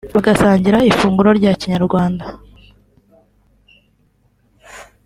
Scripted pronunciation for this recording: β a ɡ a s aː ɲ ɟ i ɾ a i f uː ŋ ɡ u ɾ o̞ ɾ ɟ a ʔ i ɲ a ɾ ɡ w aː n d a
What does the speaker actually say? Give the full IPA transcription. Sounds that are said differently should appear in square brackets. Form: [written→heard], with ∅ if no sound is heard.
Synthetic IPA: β a ɡ a s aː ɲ ɟ i ɾ a i f uː ŋ ɡ u ɾ o̞ ɾ ɟ a [ʔ→c] i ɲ a ɾ ɡ w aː n d a